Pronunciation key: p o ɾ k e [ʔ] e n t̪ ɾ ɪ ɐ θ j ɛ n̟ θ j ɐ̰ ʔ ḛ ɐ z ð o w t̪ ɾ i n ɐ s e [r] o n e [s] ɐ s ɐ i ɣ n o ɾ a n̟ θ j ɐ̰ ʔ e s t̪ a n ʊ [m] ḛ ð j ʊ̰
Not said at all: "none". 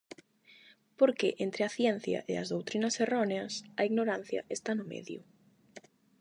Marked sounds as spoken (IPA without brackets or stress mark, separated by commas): ʔ, r, none, m